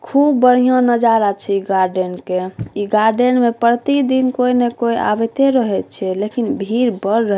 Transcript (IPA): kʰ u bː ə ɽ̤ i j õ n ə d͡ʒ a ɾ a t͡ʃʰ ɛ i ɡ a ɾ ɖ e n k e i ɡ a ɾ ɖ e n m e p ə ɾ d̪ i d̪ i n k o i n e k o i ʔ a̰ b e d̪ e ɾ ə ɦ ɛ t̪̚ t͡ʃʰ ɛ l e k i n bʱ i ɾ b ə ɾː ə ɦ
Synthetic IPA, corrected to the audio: kʰ u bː ə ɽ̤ i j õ n ə d͡ʒ a ɾ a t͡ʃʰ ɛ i ɡ a ɾ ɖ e n k e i ɡ a ɾ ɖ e n m e p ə ɾ t̪ i d̪ i n k o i n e k o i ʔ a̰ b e t̪ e ɾ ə ɦ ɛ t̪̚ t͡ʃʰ ɛ l e k i n bʱ i ɾ b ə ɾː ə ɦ